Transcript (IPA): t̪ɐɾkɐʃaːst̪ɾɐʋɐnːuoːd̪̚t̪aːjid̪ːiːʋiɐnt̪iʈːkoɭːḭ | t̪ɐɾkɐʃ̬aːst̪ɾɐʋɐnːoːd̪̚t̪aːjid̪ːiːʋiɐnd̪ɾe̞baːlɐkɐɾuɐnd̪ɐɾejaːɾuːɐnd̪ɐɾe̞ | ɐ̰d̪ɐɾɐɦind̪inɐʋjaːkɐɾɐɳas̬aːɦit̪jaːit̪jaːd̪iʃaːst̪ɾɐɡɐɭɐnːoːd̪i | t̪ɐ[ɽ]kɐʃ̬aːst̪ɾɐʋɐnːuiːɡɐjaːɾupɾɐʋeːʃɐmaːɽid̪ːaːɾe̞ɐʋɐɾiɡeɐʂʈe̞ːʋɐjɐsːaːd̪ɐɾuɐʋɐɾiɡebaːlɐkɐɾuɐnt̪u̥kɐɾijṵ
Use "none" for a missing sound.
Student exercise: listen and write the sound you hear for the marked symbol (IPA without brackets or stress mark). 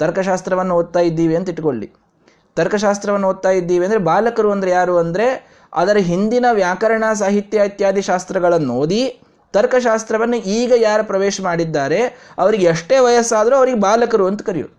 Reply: ɾ